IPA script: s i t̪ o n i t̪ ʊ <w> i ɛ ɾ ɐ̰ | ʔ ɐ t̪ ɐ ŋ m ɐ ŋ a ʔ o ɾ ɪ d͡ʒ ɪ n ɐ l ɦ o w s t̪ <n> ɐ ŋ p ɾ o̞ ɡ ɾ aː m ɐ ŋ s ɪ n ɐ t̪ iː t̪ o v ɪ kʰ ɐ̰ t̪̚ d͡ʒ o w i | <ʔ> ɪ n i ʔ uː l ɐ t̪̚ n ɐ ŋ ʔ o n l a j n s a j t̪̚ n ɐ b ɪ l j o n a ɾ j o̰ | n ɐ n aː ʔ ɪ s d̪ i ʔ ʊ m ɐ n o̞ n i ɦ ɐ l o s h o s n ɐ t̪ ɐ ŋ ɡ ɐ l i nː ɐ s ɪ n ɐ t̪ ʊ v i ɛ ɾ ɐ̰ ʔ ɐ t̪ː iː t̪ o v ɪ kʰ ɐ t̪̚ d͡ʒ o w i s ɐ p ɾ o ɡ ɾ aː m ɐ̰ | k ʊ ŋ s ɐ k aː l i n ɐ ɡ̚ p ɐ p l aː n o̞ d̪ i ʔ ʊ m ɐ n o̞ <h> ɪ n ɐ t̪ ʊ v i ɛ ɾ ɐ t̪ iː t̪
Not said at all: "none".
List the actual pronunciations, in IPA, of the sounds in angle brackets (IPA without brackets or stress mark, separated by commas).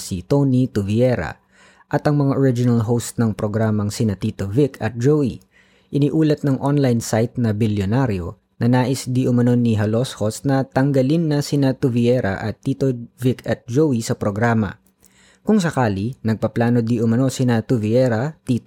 v, n, ʔ, s